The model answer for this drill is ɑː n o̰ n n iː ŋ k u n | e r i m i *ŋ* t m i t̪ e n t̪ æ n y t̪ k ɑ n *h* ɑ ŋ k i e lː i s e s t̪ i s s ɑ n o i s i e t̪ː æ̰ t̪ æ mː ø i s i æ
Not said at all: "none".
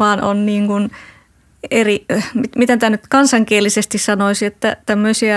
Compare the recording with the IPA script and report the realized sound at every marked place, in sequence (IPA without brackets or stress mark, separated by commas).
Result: none, s